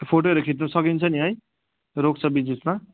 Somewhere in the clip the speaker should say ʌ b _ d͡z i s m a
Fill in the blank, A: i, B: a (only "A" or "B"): A